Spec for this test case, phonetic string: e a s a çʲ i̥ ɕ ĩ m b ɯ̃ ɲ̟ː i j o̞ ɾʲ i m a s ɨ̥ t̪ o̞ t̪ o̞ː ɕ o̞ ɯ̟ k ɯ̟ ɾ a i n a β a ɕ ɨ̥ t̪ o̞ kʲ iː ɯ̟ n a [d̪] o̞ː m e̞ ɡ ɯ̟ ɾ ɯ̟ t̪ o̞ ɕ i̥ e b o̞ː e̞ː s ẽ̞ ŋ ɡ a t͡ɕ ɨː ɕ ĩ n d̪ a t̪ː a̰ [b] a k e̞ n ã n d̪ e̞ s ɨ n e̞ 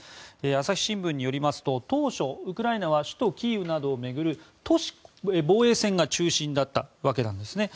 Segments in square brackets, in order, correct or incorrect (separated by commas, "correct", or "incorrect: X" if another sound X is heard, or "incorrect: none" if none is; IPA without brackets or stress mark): correct, incorrect: β